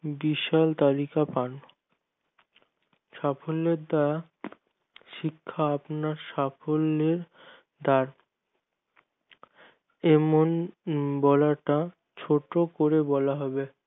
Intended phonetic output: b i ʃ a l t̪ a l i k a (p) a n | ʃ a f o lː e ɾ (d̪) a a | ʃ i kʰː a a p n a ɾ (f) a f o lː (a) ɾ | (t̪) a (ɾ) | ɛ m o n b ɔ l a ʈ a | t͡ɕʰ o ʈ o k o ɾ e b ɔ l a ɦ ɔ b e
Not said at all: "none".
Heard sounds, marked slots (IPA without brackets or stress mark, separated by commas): p, d̪, ʃ, e, d̪, ɾ